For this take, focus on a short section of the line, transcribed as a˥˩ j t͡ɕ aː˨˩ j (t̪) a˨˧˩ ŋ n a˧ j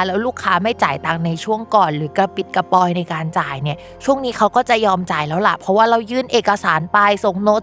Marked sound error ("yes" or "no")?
no